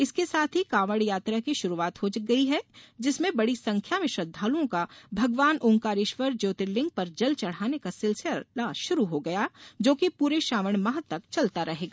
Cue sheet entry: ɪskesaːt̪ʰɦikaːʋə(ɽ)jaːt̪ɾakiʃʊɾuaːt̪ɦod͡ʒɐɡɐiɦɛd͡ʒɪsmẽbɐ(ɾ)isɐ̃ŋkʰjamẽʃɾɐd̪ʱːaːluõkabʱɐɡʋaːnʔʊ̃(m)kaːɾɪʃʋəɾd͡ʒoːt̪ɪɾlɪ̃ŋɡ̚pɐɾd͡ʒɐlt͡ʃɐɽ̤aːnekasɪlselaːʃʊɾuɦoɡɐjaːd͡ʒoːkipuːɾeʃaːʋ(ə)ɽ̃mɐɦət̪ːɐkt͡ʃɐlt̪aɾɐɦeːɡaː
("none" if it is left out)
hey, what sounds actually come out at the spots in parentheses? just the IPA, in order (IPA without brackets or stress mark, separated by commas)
ɽ, ɽ, ŋ, ə